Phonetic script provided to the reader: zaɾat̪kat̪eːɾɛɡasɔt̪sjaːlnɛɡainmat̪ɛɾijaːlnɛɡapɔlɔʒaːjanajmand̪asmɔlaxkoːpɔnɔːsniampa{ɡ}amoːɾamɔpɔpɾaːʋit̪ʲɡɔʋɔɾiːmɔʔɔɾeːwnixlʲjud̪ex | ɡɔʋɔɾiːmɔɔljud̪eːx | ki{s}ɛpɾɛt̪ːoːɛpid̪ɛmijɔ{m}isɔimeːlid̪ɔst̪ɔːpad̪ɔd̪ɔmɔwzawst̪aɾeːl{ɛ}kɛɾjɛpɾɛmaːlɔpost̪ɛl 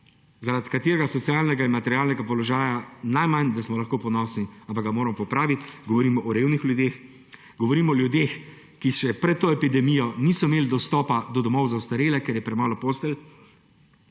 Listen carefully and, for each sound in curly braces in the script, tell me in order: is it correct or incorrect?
correct, incorrect: ʃ, incorrect: n, correct

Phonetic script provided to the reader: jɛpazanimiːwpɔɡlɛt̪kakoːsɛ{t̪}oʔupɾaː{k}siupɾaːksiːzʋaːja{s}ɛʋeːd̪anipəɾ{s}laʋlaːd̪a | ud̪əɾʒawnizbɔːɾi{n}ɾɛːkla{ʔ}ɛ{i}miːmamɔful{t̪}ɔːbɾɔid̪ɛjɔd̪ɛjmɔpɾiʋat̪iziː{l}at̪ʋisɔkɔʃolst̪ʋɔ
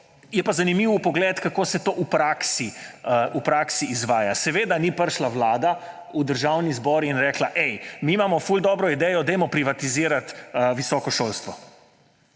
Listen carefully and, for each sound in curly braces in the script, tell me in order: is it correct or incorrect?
correct, correct, correct, incorrect: ʃ, correct, correct, incorrect: j, incorrect: d̪, incorrect: ɾ

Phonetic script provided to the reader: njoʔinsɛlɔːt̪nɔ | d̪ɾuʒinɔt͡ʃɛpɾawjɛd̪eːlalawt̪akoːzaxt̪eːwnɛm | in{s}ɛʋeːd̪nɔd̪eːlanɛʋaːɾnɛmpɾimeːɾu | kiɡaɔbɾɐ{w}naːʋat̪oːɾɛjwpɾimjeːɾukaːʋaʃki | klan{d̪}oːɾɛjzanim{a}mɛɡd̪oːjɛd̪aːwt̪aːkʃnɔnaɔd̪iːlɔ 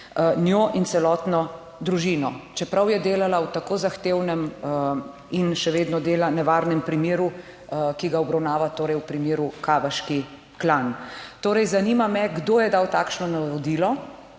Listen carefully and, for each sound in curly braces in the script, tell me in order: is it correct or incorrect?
incorrect: ʃ, correct, incorrect: t̪, correct

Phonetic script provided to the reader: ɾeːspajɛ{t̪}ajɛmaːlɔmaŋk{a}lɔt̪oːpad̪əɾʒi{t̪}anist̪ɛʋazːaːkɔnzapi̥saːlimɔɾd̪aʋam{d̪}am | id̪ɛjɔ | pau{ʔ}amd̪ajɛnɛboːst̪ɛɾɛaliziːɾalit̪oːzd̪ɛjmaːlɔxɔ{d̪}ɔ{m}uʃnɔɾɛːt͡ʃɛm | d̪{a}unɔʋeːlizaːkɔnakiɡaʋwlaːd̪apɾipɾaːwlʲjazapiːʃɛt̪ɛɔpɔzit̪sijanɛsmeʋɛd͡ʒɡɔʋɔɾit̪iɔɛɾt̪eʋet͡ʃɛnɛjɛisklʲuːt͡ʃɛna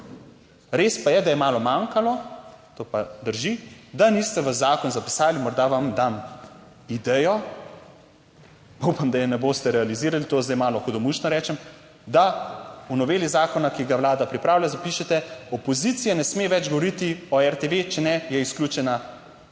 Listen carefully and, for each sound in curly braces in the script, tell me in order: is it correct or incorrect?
incorrect: d̪, correct, incorrect: d̪, correct, incorrect: p, correct, correct, correct

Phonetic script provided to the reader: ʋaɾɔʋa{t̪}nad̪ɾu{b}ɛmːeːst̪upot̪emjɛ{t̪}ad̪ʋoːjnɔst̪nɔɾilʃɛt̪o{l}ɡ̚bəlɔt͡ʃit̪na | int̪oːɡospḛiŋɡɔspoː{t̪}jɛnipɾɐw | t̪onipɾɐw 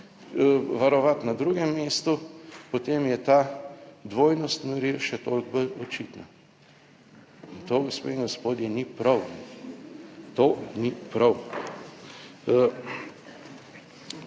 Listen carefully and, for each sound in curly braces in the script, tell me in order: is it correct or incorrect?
correct, incorrect: ɡ, correct, correct, incorrect: d̪

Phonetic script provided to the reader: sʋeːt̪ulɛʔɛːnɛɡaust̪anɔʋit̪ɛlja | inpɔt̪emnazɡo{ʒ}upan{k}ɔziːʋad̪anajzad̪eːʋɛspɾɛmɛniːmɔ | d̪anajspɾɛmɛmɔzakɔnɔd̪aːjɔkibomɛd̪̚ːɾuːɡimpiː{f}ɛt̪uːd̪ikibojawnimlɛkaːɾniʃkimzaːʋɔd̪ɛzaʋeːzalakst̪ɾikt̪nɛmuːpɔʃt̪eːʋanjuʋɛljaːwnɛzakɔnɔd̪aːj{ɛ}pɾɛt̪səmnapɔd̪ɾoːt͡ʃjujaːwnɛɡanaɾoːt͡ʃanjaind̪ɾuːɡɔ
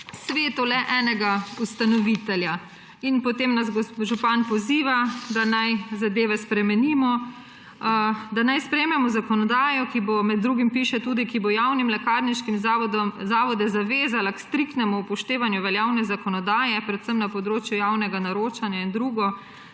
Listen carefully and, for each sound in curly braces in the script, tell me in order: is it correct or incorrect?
correct, incorrect: p, incorrect: ʃ, correct

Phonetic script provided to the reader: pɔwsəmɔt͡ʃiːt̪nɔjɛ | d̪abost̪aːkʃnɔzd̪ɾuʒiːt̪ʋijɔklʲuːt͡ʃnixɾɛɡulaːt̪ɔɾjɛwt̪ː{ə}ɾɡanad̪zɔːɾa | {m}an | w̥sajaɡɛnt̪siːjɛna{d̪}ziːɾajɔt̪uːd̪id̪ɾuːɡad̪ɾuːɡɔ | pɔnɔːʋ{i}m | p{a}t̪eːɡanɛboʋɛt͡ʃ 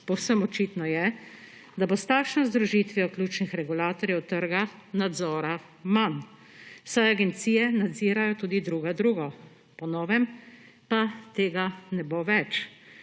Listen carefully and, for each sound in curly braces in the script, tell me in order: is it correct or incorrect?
correct, correct, correct, incorrect: ɛ, correct

